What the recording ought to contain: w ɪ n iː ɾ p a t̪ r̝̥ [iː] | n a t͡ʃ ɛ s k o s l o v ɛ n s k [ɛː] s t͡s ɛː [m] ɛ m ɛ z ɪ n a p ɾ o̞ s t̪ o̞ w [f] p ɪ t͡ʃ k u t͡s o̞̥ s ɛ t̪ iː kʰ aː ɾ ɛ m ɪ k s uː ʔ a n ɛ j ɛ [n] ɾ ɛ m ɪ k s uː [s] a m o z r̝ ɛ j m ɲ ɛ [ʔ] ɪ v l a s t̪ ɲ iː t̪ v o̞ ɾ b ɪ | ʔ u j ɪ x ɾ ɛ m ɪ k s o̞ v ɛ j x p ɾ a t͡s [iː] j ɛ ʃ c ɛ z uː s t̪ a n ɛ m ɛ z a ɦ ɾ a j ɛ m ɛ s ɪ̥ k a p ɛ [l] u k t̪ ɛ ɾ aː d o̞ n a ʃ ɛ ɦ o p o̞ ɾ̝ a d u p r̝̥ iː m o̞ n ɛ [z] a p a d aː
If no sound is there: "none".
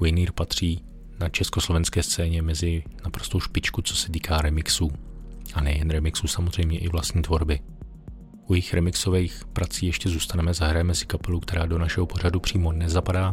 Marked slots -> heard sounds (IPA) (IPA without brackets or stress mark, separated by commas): iː, ɛː, ɲ, ʃ, n, s, ʔ, iː, l, z